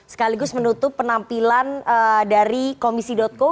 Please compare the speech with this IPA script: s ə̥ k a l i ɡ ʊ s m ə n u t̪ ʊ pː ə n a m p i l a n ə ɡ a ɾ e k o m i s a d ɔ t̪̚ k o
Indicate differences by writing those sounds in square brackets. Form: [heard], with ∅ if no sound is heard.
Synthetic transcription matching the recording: s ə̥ k a l i ɡ ʊ s m ə n u t̪ ʊ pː ə n a m p i l a n ə [d] a ɾ [i] k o m i s [i] d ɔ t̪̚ k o